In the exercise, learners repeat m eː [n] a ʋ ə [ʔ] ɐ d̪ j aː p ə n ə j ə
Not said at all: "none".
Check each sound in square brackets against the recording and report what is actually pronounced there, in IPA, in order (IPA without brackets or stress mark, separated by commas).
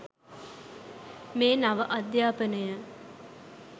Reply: n, ʔ